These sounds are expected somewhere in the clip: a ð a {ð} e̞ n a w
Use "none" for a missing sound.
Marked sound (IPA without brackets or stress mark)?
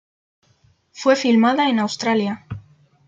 none